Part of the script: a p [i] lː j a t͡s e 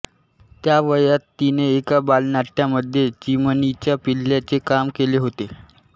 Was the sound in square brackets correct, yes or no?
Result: yes